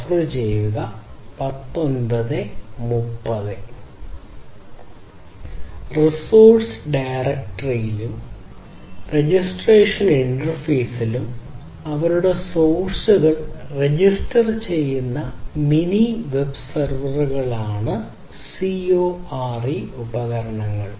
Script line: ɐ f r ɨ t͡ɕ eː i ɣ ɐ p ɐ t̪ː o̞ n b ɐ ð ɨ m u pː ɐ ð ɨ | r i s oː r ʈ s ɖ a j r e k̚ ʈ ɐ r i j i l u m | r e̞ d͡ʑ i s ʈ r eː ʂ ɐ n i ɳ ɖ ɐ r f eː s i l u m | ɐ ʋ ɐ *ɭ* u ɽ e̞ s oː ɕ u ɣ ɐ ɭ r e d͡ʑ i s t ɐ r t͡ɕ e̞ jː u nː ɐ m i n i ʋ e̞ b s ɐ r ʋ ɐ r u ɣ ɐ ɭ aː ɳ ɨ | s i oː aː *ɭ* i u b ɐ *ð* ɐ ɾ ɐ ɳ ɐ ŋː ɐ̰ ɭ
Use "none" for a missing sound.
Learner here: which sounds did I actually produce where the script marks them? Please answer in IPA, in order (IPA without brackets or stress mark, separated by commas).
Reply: ɾ, r, ɣ